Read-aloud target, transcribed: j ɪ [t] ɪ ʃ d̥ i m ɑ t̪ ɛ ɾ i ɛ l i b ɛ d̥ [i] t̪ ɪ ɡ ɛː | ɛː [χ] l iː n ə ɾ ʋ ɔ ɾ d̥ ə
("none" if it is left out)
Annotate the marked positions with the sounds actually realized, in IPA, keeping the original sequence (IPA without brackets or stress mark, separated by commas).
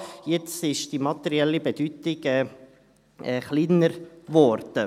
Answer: t͡s, y, χ